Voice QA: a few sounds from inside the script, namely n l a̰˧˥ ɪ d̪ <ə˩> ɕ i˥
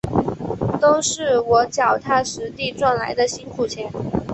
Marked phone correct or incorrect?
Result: incorrect